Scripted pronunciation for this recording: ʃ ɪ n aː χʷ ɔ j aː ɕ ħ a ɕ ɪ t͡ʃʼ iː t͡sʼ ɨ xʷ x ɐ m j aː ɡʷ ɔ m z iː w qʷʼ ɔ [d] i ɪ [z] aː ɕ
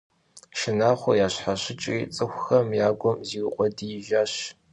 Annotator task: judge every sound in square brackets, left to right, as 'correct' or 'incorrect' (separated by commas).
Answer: correct, incorrect